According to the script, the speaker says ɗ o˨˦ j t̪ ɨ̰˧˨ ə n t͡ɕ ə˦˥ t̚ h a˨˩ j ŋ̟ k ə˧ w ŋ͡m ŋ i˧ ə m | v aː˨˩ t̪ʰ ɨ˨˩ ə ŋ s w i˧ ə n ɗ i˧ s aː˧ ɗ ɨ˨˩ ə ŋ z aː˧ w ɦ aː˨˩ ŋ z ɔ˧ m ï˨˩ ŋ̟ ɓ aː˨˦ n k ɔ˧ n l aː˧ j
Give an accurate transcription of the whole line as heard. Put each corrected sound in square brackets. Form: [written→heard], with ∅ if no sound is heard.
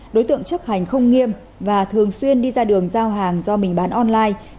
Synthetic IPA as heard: ɗ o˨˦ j t̪ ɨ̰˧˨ ə [n→ŋ] t͡ɕ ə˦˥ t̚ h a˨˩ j ŋ̟ [k→x] ə˧ w ŋ͡m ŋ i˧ ə m | v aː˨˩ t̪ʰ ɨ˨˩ ə ŋ s w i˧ ə n ɗ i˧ [s→z] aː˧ ɗ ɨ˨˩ ə ŋ z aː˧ w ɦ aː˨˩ ŋ z ɔ˧ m ï˨˩ ŋ̟ ɓ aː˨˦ n [k→ʔ] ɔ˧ n l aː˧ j